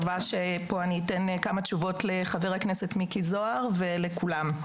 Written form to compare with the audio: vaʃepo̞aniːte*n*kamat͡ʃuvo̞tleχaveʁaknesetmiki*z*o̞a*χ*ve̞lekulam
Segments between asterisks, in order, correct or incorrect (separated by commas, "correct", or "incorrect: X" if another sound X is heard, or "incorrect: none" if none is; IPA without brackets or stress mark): correct, correct, incorrect: ʁ